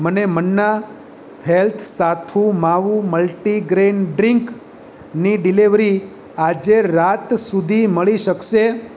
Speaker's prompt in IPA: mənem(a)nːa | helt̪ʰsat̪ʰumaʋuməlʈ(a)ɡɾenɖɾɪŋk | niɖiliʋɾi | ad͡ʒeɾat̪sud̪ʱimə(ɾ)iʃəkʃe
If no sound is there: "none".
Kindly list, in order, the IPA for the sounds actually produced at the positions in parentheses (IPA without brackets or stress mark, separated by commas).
ə, i, ɭ